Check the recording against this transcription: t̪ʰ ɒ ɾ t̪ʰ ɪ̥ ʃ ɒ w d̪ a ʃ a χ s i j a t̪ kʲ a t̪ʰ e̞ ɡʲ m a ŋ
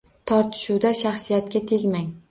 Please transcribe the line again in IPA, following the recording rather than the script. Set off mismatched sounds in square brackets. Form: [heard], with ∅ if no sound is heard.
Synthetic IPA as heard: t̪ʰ ɒ ɾ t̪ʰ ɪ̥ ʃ [u] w d̪ a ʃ a χ s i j a t̪ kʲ a t̪ʰ e̞ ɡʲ m a ŋ